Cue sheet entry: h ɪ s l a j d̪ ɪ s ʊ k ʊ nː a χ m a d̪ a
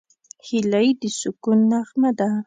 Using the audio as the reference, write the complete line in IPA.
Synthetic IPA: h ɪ l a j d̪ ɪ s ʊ k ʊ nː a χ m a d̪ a